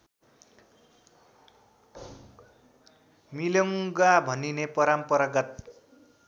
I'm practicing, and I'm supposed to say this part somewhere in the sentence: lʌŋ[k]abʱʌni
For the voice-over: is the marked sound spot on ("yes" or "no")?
no